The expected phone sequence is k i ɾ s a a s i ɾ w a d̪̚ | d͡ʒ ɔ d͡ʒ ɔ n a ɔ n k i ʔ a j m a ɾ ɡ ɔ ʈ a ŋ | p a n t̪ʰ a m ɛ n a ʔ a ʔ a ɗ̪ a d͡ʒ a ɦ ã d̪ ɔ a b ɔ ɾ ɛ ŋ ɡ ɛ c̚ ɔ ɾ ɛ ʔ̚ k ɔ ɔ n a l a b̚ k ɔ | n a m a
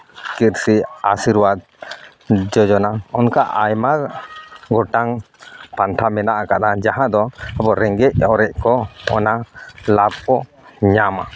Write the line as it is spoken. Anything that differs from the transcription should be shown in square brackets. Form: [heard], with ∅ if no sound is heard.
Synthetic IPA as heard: k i ɾ s [i] a s i ɾ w a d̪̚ | d͡ʒ ɔ d͡ʒ ɔ n a ɔ n k [a] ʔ a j m a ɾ ɡ ɔ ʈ a ŋ | p a n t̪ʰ a m ɛ n a ʔ a [k] a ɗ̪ a d͡ʒ a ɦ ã d̪ ɔ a b ɔ ɾ ɛ ŋ ɡ ɛ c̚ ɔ ɾ ɛ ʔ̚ k ɔ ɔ n a l a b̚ k ɔ | [ɲ] a m a